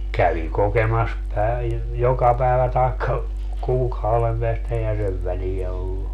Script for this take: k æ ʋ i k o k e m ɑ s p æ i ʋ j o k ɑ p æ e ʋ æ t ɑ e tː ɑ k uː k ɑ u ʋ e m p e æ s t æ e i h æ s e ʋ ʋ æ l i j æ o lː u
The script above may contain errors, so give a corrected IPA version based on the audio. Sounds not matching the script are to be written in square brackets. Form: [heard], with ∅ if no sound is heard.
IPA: k æ ʋ i k o k e m ɑ s p æ i ʋ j o k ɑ p æ e ʋ æ t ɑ e [kː] ɑ k uː k ɑ u ʋ e m p e æ s t æ e i h æ s e ʋ ʋ æ l i j æ o lː u